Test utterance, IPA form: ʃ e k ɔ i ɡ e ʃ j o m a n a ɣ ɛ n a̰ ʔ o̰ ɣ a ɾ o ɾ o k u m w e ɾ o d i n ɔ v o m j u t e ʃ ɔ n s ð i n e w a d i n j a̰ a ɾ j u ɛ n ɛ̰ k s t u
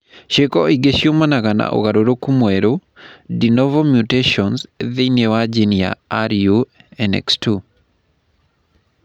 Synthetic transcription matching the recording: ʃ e k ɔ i ɡ e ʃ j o m a n a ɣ a n a̰ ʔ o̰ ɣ a ɾ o ɾ o k u m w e ɾ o d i n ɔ v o m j u t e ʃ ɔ n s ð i n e w a d͡ʒ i n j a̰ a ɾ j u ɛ n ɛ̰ k s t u